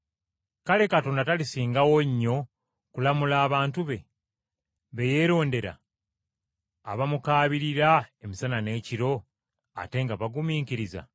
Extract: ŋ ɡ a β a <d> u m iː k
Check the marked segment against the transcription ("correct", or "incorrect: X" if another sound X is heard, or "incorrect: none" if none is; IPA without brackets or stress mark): incorrect: ɡ